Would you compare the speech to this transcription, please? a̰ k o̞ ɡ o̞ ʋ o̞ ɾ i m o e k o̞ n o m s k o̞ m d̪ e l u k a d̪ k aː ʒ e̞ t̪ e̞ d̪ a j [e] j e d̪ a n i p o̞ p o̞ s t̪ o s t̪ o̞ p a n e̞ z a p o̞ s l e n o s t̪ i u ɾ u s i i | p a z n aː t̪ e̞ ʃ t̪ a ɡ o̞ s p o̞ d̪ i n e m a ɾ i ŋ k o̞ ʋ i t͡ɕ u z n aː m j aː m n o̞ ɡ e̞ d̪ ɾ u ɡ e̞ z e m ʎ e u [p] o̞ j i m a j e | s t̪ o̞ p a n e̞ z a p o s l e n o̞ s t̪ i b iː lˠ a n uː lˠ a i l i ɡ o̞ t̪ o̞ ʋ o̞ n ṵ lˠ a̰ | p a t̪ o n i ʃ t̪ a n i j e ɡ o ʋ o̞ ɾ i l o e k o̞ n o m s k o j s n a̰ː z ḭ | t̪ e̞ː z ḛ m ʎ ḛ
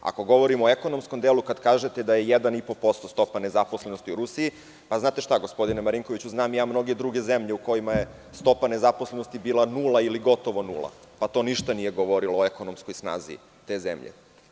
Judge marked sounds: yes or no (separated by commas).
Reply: yes, no